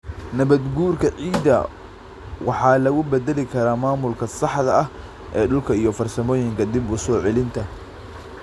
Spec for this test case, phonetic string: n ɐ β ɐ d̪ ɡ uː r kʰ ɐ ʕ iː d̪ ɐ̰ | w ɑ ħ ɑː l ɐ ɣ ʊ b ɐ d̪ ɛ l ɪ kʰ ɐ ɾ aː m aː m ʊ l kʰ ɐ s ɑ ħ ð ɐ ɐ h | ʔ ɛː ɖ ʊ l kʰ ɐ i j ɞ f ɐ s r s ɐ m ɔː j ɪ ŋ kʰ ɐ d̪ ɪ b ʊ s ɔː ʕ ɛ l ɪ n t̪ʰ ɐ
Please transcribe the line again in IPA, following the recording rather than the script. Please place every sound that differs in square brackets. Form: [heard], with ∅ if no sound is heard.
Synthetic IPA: n ɐ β ɐ d̪ ɡ uː r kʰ ɐ ʕ iː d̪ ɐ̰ | w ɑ ħ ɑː l ɐ ɣ ʊ b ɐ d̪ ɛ l ɪ kʰ ɐ ɾ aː m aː m ʊ l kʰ ɐ s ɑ ħ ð ɐ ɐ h | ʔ ɛː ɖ ʊ l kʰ ɐ i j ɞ f ɐ [∅] r s ɐ m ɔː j ɪ ŋ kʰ ɐ d̪ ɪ b ʊ s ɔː ʕ ɛ l ɪ n t̪ʰ ɐ